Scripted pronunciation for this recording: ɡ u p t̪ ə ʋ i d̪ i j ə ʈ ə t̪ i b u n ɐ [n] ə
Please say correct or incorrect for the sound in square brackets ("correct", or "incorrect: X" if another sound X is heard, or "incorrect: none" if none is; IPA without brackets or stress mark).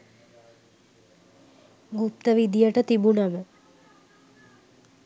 incorrect: m